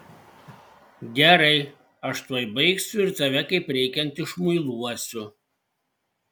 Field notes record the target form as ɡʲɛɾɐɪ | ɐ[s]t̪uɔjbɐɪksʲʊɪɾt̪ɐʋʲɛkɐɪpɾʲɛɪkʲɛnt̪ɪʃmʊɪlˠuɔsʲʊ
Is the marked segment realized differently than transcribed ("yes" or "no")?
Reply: yes